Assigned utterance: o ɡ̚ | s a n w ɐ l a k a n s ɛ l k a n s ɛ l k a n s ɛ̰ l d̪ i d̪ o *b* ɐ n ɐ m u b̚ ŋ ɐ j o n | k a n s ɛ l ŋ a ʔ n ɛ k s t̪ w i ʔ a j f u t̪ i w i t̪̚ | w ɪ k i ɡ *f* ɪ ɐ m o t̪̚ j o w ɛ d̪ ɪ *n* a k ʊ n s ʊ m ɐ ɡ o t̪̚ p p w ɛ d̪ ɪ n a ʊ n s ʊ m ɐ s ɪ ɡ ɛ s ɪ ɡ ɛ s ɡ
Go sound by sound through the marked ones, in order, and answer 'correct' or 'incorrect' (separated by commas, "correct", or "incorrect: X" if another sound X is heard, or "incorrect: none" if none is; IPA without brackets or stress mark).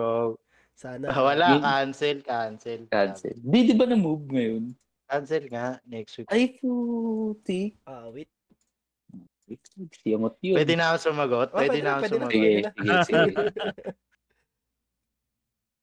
correct, incorrect: s, correct